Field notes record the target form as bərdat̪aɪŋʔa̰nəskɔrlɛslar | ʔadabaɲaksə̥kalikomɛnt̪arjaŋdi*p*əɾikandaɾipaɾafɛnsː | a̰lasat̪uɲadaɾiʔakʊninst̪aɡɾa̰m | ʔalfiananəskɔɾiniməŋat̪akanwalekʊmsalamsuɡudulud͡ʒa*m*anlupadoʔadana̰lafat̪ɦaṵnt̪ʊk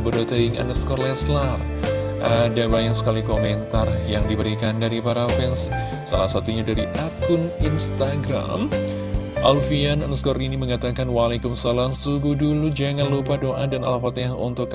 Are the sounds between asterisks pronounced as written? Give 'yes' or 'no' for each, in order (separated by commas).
no, no